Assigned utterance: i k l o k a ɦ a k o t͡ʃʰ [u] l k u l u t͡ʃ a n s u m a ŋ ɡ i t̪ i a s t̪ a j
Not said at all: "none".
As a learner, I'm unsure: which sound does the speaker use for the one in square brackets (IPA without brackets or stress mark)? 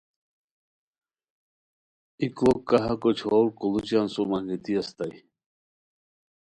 o